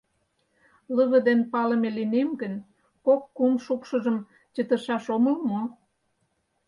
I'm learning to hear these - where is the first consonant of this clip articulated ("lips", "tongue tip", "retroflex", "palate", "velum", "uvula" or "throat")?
tongue tip